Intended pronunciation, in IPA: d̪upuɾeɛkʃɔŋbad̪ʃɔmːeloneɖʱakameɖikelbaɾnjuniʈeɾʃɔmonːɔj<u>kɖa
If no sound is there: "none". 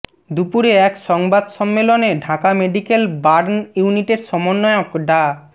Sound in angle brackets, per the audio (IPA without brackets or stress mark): o